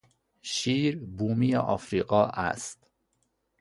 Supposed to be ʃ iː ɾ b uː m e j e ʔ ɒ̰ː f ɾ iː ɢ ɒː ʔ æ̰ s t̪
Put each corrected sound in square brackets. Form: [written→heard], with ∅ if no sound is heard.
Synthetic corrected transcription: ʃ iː ɾ b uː m [e→i] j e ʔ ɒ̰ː f ɾ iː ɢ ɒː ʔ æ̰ s t̪